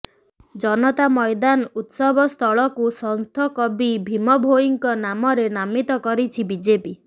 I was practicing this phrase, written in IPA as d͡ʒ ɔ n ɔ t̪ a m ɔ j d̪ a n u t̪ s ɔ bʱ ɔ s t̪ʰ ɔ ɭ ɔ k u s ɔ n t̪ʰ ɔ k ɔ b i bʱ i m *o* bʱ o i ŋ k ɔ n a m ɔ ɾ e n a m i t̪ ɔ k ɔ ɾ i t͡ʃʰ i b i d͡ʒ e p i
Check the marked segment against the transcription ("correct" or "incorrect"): incorrect